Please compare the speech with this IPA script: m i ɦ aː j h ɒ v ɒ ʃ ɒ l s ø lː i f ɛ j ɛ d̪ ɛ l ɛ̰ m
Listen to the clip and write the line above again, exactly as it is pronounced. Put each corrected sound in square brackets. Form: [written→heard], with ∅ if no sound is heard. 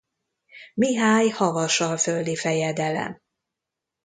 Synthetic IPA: m i ɦ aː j h ɒ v ɒ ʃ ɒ l [s→f] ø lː i f ɛ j ɛ d̪ ɛ l ɛ̰ m